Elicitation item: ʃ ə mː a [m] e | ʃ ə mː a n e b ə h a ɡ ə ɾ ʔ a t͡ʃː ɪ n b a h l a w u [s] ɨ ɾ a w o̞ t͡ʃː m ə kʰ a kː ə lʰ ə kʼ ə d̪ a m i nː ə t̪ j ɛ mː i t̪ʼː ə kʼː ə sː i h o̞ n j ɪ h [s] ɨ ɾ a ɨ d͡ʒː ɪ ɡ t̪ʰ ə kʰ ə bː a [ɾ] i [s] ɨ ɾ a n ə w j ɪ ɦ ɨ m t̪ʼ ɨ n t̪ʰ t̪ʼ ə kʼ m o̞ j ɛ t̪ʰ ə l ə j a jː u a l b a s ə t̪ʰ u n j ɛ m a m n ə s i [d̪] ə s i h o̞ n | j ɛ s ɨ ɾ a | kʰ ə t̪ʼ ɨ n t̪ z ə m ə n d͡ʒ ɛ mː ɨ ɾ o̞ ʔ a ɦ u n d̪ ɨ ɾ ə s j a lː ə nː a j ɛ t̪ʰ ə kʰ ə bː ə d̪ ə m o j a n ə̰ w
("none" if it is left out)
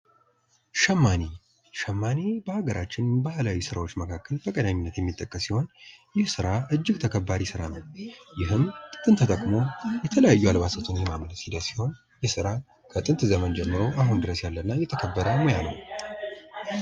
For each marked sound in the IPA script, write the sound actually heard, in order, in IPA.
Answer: n, s, s, ɾ, s, d̪

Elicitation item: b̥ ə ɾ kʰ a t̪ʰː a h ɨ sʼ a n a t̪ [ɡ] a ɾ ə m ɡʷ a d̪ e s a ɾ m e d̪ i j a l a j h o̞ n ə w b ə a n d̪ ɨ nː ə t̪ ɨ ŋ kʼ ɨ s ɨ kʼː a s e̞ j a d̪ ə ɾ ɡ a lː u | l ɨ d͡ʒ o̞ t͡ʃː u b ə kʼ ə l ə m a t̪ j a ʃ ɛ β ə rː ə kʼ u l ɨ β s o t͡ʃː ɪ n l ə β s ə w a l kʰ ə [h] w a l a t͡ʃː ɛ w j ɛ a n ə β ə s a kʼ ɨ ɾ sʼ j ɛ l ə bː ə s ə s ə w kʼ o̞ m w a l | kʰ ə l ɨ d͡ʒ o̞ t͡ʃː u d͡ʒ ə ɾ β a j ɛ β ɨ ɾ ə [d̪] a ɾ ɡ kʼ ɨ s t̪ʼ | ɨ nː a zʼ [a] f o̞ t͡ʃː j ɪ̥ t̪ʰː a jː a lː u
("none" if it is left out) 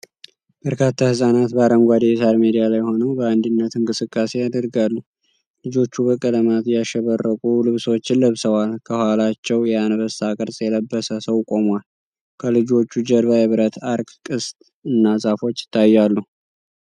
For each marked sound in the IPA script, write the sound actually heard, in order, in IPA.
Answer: b, h, t̪, a

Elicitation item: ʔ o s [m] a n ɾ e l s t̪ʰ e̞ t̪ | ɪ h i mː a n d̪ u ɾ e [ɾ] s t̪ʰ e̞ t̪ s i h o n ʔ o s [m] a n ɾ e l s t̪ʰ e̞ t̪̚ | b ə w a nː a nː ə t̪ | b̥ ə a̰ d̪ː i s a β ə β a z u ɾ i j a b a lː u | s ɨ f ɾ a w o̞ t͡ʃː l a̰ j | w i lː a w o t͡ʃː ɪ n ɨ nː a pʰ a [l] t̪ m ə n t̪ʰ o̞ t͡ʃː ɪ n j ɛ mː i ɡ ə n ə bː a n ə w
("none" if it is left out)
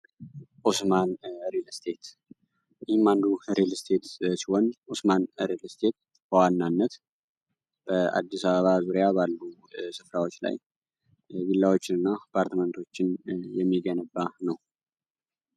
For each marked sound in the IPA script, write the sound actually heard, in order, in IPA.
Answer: m, l, m, ɾ

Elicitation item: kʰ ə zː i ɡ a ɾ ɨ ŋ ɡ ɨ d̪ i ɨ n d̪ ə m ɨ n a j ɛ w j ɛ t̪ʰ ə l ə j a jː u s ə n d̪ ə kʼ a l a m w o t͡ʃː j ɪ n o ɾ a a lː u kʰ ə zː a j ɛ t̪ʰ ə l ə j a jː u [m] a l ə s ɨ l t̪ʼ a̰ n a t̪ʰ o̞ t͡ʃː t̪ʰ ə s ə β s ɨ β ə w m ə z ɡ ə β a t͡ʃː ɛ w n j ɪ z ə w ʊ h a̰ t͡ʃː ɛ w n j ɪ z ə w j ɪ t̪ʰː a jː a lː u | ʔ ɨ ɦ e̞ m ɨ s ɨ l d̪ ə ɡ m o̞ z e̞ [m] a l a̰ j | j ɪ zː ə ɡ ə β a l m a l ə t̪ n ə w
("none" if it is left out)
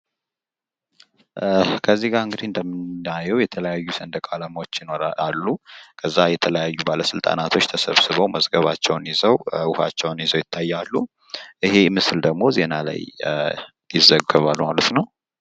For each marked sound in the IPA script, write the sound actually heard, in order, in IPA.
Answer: b, n

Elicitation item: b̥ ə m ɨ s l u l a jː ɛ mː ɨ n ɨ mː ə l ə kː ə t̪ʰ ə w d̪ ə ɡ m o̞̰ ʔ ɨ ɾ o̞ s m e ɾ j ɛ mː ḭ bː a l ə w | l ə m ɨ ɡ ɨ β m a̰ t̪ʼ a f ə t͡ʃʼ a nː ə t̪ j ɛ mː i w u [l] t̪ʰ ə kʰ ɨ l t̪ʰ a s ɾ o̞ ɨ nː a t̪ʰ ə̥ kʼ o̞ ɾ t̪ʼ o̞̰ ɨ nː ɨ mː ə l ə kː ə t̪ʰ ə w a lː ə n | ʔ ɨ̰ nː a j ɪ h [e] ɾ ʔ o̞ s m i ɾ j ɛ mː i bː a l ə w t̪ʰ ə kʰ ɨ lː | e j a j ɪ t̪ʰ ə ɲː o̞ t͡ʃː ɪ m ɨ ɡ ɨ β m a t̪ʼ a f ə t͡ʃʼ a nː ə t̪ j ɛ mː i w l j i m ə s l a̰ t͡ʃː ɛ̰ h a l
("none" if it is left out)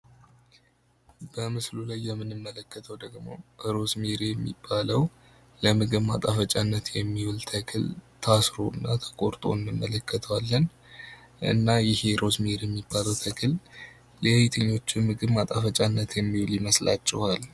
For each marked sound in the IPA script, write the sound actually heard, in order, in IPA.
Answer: l, e

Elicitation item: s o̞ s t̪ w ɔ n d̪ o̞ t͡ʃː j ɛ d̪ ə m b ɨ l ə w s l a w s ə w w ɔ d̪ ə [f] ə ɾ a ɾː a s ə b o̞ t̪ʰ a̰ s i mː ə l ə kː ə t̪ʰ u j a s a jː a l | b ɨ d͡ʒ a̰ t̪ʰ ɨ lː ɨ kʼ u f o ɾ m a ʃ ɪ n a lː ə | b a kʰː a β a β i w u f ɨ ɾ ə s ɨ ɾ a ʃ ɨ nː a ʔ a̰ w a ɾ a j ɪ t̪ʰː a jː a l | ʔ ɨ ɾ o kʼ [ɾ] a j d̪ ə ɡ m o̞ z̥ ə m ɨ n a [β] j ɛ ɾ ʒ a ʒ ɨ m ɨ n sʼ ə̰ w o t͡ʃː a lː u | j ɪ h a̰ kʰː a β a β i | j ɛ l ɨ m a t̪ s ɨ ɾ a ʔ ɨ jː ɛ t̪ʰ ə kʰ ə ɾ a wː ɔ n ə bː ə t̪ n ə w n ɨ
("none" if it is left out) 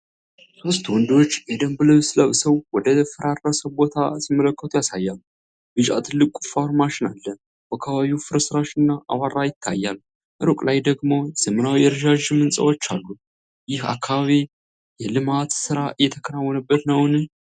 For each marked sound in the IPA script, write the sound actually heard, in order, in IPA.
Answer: f, l, w

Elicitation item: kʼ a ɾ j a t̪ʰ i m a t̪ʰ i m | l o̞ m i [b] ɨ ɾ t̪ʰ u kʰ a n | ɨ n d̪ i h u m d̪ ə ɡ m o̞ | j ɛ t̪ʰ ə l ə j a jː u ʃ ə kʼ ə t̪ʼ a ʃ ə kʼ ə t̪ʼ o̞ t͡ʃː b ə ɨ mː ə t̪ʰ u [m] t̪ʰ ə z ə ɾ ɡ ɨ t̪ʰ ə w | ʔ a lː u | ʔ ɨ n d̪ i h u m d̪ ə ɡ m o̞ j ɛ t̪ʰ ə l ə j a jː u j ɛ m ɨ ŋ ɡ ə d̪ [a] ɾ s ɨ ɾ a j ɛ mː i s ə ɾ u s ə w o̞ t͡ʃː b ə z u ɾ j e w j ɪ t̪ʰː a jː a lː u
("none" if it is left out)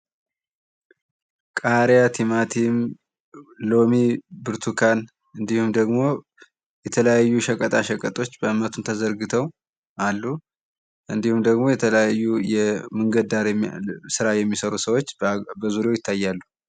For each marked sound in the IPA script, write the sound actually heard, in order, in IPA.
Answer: b, n, a

